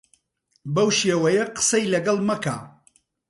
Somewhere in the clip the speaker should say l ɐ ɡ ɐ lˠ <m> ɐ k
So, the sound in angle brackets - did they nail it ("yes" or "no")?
yes